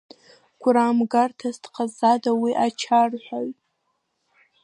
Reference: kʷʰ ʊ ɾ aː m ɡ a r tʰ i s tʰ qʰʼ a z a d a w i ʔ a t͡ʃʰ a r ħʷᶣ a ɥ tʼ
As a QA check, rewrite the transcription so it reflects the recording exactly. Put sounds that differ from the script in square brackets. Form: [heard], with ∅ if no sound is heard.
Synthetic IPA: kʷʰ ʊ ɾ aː m ɡ a r tʰ [a] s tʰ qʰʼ a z a d a w i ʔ a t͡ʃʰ a r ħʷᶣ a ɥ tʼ